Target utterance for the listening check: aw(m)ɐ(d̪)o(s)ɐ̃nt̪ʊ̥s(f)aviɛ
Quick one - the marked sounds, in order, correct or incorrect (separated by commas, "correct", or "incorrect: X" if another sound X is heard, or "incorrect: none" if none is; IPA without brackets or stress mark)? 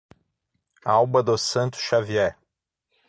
incorrect: b, correct, correct, incorrect: ʃ